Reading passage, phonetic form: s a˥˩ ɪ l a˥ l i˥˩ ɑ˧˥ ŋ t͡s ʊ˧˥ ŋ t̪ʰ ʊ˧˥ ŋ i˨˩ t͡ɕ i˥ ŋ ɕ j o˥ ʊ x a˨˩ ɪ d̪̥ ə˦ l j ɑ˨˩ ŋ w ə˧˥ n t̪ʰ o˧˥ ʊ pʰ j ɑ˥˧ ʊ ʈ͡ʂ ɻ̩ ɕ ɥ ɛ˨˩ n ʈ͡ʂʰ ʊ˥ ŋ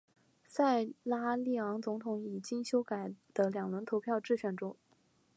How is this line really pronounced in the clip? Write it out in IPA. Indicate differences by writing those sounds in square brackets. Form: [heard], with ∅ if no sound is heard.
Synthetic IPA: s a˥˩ ɪ l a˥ l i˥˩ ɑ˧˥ ŋ t͡s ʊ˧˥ ŋ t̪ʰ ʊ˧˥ ŋ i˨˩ t͡ɕ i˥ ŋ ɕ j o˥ ʊ [k] a˨˩ ɪ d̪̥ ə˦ l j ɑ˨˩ ŋ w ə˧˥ n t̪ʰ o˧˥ ʊ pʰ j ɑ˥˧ ʊ ʈ͡ʂ ɻ̩ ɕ ɥ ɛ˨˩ n [ʈ͡ʂ] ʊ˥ ŋ